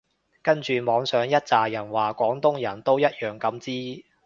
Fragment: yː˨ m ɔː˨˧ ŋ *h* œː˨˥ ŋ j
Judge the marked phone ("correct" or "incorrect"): incorrect